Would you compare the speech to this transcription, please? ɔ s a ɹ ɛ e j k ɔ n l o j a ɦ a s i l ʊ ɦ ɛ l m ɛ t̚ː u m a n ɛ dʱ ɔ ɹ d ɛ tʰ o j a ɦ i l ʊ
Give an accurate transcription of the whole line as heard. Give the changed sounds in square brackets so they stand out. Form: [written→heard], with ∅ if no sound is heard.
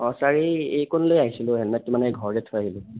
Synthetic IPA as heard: ɔ s a ɹ [ɛ→i] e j k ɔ n l o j a ɦ [a→i] s i l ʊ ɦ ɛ l m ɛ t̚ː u m a n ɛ [dʱ→ɡʱ] ɔ ɹ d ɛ tʰ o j a ɦ i l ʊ